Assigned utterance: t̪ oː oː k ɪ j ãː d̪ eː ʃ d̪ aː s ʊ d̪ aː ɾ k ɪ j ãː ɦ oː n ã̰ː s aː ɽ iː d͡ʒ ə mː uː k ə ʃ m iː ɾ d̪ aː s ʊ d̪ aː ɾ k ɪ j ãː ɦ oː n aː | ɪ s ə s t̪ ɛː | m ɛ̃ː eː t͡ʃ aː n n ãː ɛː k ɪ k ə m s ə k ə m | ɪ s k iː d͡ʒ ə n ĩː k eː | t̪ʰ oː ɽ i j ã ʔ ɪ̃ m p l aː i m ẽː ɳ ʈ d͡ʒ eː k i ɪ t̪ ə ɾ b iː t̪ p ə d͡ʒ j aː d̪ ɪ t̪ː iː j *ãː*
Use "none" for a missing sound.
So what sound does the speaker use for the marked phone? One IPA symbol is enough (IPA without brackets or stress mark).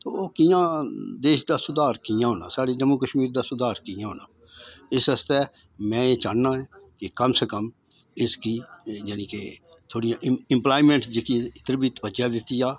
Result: aː